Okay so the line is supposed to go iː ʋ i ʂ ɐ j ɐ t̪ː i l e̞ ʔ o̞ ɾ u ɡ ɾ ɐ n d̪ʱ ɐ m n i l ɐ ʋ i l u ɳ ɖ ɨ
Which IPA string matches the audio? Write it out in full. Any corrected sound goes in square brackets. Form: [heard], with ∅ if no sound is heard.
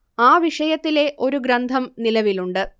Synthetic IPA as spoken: [aː] ʋ i ʂ ɐ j ɐ t̪ː i l e̞ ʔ o̞ ɾ u ɡ ɾ ɐ n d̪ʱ ɐ m n i l ɐ ʋ i l u ɳ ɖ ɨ

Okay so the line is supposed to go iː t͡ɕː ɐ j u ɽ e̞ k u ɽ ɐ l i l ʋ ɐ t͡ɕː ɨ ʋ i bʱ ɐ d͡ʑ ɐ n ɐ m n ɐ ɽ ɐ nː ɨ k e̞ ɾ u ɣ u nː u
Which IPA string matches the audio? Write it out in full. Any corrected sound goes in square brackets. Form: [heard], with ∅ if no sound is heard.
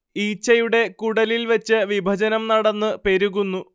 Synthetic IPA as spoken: iː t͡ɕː ɐ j u ɽ e̞ k u ɽ ɐ l i l ʋ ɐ t͡ɕː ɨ ʋ i bʱ ɐ d͡ʑ ɐ n ɐ m n ɐ ɽ ɐ nː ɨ [p] e̞ ɾ u ɣ u nː u

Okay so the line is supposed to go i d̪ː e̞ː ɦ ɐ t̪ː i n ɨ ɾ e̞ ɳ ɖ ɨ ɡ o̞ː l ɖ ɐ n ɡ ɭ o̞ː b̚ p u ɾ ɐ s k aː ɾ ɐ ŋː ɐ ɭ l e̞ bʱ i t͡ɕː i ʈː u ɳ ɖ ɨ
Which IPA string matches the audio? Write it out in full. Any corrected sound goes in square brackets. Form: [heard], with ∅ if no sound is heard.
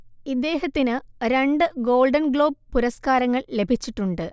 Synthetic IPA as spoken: i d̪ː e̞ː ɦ ɐ t̪ː i n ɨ ɾ e̞ ɳ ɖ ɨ ɡ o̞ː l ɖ ɐ n ɡ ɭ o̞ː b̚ p u ɾ ɐ s k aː ɾ ɐ ŋː ɐ ɭ l e̞ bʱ i t͡ɕː i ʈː u ɳ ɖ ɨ

